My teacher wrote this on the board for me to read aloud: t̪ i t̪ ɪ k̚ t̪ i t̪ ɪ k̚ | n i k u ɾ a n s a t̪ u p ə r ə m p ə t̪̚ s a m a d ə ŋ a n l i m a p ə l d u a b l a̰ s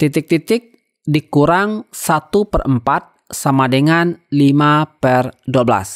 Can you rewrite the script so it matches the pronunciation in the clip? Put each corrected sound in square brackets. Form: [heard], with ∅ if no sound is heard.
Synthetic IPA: t̪ i t̪ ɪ k̚ t̪ i t̪ ɪ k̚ | [d] i k u ɾ a [ŋ] s a t̪ u p ə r ə m p [a] t̪̚ s a m a d ə ŋ a n l i m a p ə [r] d u a b l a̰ s